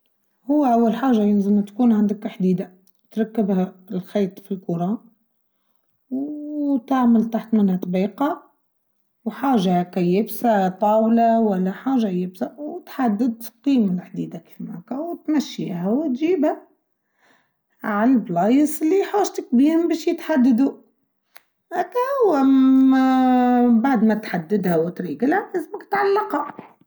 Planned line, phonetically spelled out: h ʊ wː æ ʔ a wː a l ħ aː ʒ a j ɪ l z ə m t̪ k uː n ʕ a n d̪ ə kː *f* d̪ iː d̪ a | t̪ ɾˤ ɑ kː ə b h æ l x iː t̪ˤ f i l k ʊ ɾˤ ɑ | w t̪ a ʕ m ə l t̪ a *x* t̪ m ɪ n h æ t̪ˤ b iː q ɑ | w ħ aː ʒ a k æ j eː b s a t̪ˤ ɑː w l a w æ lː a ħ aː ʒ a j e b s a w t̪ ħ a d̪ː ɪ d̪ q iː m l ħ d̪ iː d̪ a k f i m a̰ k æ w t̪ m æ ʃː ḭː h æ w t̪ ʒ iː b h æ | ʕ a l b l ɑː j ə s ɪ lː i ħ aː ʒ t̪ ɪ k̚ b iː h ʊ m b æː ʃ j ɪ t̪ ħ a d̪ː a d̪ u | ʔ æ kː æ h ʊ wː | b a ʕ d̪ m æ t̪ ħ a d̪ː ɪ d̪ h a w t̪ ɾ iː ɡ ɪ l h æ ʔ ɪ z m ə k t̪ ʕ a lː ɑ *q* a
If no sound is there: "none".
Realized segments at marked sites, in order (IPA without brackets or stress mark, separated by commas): ħ, ħ, q